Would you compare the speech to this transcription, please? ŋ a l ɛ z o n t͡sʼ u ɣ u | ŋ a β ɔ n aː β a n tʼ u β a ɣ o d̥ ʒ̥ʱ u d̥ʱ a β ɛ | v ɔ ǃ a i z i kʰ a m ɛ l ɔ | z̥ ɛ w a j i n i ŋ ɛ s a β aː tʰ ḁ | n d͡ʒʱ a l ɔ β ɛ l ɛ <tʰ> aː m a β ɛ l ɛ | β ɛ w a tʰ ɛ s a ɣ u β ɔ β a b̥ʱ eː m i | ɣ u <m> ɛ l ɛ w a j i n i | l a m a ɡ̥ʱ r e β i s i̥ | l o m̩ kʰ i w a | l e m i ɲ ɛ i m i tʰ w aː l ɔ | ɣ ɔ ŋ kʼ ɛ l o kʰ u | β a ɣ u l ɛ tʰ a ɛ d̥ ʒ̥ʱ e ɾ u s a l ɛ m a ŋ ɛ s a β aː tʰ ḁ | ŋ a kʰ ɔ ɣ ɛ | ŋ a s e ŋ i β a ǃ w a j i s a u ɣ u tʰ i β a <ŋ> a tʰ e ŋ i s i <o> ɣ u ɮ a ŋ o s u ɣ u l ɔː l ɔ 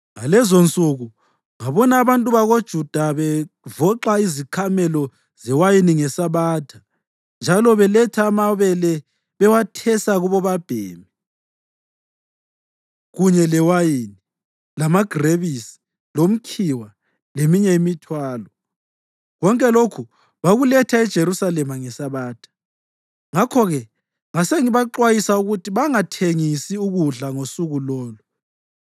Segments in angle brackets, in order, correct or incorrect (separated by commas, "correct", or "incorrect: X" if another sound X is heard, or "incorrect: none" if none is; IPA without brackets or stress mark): correct, incorrect: ɲ, correct, incorrect: u